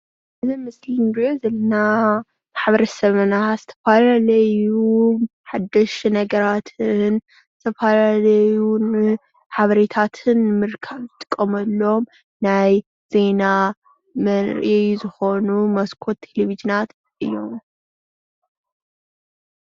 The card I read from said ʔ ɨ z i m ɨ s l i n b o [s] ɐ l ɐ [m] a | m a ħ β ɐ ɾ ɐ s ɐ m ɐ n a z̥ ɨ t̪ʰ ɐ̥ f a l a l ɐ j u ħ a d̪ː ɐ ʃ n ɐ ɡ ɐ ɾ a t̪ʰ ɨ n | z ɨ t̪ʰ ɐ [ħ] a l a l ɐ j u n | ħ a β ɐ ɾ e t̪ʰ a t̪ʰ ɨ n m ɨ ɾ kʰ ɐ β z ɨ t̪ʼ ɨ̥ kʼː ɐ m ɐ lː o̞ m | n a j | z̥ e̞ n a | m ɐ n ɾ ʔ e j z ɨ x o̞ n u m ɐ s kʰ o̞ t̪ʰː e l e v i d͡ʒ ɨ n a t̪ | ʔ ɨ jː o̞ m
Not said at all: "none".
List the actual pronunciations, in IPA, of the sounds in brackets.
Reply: z, n, f

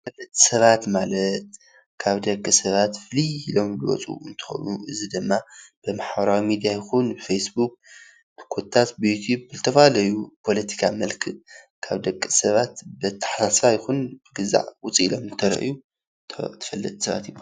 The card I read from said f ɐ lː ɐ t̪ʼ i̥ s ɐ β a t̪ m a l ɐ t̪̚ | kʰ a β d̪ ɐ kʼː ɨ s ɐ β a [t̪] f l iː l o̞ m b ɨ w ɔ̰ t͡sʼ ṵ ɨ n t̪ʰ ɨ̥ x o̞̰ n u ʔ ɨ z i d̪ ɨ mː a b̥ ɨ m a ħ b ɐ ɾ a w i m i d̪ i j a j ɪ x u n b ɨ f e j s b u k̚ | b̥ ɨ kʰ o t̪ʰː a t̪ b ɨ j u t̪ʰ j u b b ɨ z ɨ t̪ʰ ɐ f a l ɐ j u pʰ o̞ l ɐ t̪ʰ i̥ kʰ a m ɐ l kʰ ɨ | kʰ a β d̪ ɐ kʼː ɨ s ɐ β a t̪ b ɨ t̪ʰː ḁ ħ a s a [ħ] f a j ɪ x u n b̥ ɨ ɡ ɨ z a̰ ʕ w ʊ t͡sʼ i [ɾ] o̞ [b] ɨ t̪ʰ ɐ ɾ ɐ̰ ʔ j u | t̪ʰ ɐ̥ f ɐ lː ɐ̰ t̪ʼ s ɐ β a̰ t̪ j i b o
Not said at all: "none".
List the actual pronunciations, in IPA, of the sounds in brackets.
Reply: t̪, s, l, m

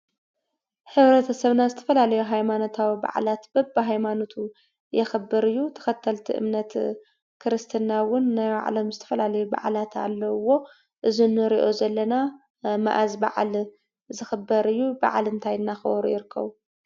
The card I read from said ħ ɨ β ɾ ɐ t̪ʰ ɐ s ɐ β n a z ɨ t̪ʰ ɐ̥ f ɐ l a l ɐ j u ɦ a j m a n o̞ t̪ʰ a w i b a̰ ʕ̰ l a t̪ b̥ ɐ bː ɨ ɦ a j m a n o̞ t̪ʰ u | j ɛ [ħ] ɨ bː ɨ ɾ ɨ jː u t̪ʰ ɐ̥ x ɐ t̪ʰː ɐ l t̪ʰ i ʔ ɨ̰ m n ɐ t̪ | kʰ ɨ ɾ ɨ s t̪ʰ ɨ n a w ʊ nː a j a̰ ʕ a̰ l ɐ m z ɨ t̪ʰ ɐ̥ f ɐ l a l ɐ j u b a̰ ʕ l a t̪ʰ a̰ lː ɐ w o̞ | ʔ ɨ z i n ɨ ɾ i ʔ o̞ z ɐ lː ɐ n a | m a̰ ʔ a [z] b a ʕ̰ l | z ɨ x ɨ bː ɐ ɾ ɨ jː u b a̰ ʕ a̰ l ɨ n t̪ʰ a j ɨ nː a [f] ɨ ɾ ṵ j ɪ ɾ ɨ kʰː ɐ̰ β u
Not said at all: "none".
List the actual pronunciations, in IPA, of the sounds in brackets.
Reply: x, z, x

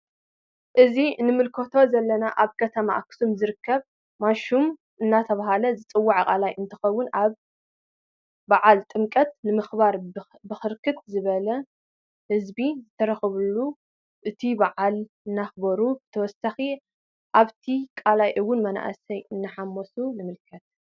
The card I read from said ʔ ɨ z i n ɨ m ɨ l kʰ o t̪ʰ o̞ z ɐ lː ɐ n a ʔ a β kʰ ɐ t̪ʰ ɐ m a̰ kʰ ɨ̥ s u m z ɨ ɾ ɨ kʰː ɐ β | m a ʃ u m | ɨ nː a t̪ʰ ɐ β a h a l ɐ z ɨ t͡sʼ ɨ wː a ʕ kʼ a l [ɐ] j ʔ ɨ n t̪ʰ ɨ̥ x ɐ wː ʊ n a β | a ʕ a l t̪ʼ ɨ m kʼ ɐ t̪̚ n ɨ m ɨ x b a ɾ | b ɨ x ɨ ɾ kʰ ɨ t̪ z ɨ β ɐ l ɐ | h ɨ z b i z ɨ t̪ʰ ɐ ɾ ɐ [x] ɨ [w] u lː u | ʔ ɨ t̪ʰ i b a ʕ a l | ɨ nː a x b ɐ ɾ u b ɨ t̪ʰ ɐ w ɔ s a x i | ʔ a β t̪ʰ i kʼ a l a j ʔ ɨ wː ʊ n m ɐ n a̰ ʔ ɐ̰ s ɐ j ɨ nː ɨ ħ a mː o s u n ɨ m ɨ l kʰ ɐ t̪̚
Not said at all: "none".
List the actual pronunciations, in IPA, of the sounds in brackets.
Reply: a, x, β

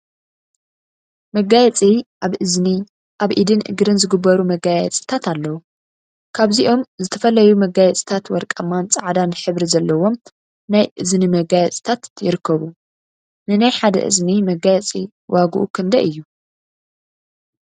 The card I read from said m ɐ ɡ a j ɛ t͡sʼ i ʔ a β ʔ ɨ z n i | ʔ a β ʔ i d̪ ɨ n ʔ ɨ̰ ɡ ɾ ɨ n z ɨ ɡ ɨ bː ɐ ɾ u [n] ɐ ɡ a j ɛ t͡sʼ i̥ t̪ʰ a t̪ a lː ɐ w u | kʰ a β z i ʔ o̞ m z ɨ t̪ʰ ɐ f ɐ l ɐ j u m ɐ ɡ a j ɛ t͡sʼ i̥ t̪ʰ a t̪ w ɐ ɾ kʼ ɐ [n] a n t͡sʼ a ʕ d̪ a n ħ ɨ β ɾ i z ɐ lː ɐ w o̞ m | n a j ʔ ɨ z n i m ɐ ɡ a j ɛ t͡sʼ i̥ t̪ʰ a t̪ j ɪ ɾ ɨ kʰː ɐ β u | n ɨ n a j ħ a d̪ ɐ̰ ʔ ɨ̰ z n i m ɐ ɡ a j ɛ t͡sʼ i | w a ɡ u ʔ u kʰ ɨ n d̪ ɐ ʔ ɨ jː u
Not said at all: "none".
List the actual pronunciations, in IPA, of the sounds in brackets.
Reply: m, m

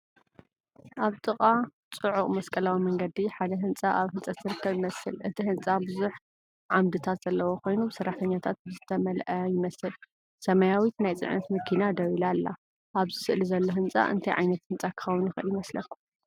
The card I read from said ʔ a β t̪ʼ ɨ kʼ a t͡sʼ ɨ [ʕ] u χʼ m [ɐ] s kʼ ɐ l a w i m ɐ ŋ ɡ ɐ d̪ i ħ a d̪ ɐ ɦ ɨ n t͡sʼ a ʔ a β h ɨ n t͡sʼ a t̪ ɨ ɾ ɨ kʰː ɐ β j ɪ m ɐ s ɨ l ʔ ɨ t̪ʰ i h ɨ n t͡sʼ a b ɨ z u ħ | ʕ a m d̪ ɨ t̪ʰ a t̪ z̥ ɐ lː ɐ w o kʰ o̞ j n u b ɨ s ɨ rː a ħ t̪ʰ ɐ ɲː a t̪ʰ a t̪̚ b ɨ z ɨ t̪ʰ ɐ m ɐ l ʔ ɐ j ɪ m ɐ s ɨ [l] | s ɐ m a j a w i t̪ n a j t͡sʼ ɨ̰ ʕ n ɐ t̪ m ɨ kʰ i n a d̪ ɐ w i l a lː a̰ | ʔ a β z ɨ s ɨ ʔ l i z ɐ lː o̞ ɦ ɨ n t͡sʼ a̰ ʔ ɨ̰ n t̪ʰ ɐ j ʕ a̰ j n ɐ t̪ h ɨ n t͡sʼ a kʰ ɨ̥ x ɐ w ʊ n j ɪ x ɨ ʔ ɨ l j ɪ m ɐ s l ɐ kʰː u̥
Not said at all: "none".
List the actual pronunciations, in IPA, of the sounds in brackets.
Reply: ʕ, ɐ, l

